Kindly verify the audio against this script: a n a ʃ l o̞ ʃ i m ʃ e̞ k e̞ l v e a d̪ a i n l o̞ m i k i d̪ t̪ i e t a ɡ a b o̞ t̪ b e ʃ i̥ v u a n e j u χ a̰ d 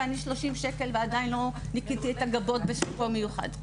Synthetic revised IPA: a n i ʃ l o̞ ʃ i m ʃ e̞ k e̞ l v e a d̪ a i n l o̞ n i k i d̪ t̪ i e t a ɡ a b o̞ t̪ b e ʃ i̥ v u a m e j u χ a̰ d

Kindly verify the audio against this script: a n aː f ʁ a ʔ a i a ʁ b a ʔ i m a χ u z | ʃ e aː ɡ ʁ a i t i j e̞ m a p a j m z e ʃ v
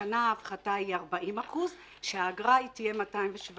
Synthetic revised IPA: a n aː f χ a t a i a ʁ b a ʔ i m a χ u z | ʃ e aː ɡ ʁ a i t i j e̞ m a t a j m v e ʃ v

